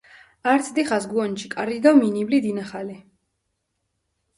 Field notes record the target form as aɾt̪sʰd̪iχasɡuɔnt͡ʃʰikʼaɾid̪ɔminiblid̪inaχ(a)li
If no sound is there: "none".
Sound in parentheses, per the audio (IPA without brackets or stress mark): a